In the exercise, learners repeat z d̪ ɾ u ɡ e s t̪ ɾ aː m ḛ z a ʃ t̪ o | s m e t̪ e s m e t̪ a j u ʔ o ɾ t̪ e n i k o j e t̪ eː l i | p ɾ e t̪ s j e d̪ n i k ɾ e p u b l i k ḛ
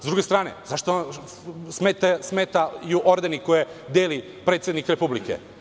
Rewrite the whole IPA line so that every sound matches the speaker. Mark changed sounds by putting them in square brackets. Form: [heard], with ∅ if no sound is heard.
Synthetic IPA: z d̪ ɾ u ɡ e s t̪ ɾ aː [n] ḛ z a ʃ t̪ o | s m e t̪ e s m e t̪ a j u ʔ o ɾ [d̪] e n i k o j e [d̪] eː l i | p ɾ e t̪ s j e d̪ n i k ɾ e p u b l i k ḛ